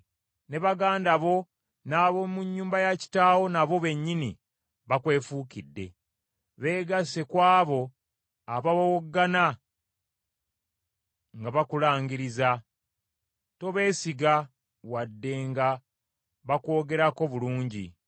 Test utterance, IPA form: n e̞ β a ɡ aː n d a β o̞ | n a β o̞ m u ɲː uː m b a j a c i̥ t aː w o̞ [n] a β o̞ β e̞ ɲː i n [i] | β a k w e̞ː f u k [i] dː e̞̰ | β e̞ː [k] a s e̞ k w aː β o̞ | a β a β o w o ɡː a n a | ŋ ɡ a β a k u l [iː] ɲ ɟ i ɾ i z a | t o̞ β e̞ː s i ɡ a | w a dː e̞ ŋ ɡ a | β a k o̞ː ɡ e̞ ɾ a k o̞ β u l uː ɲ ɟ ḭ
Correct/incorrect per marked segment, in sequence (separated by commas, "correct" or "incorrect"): correct, correct, correct, incorrect, incorrect